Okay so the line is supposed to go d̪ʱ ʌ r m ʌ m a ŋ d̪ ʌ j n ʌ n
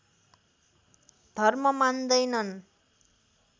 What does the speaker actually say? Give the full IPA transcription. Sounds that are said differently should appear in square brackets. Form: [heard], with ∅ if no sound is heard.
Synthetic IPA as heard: d̪ʱ ʌ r m ʌ m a [n] d̪ ʌ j n ʌ n